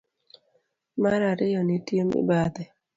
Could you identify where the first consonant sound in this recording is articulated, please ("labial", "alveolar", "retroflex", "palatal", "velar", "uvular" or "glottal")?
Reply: labial